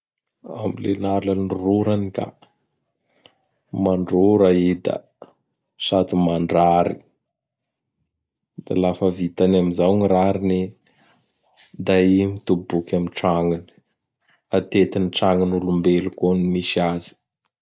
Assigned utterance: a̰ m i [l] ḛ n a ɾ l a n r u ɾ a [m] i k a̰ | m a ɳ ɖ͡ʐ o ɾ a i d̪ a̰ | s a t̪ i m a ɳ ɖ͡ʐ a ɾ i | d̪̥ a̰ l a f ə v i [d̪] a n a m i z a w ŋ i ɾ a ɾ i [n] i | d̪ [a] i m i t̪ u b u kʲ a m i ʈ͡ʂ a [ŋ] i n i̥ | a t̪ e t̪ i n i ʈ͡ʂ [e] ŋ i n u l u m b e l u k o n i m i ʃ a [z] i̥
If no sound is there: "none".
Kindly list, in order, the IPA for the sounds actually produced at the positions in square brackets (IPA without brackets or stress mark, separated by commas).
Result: l, n, t̪, n, a, ŋ, a, z